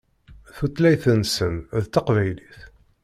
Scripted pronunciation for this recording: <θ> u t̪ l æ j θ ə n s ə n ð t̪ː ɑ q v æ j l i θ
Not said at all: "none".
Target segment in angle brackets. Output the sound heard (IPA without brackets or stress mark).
θ